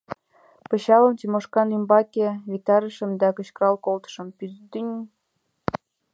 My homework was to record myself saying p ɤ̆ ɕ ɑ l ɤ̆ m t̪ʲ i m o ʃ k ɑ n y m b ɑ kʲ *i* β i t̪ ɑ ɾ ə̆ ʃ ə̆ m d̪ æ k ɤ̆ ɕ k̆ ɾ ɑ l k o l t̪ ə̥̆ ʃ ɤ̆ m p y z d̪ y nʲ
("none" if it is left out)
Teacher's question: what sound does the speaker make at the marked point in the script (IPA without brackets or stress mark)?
e